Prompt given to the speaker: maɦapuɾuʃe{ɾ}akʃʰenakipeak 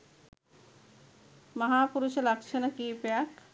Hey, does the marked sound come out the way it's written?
no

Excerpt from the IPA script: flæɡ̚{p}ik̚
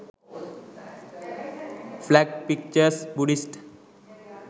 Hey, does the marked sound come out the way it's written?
yes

